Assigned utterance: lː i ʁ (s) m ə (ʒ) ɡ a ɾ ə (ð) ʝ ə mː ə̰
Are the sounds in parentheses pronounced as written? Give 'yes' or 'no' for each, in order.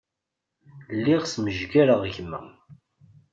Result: yes, yes, no

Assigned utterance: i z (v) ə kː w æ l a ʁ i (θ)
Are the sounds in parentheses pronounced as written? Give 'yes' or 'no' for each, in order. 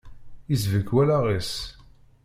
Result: yes, no

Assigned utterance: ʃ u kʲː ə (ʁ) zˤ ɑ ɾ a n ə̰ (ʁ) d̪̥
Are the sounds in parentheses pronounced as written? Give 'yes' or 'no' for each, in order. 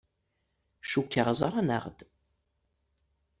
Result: yes, yes

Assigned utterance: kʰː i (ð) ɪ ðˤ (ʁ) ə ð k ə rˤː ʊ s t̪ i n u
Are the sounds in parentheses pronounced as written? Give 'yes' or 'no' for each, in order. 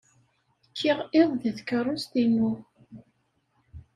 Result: no, no

